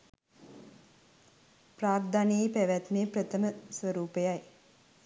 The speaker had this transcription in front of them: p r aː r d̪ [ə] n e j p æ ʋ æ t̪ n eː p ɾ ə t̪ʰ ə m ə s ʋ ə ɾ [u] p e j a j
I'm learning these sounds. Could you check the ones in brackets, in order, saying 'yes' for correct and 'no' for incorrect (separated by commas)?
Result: no, no